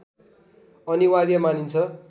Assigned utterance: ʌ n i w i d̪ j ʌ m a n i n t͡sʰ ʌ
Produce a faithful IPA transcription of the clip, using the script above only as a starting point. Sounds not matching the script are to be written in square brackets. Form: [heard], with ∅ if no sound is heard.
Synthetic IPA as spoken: ʌ n i w [a] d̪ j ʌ m a n i n t͡sʰ ʌ